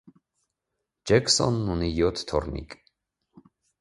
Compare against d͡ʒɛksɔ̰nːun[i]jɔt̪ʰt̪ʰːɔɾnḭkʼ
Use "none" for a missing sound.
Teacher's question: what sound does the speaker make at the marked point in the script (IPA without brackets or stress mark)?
i